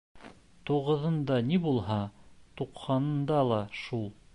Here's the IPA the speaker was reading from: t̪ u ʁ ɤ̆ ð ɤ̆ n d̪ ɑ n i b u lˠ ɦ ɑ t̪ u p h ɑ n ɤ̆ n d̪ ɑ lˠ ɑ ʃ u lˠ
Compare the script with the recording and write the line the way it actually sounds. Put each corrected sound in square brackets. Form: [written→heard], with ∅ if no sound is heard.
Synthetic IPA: t̪ u ʁ ɤ̆ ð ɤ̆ n d̪ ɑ n i b u lˠ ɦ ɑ t̪ u [p→q] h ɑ n ɤ̆ n d̪ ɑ lˠ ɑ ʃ u lˠ